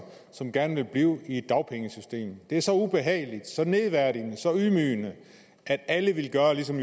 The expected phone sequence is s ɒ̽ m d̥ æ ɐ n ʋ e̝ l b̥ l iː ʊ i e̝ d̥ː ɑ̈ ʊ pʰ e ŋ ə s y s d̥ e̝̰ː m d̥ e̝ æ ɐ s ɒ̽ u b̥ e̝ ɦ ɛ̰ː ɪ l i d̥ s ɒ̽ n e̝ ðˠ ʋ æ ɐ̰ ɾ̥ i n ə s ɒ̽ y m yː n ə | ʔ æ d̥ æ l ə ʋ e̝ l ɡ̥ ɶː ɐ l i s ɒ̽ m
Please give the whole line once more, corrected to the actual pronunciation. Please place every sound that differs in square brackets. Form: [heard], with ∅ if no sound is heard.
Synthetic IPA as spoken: s ɒ̽ m [ɡ̥] æ ɐ n ʋ e̝ l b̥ l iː ʊ i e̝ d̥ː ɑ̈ ʊ pʰ e ŋ ə s y s d̥ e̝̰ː m d̥ e̝ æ ɐ s ɒ̽ u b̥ e̝ ɦ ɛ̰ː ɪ l i d̥ s ɒ̽ n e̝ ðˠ ʋ æ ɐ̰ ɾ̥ i n ə s ɒ̽ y m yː n ə | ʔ æ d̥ æ l ə ʋ e̝ l ɡ̥ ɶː ɐ l i s ɒ̽ m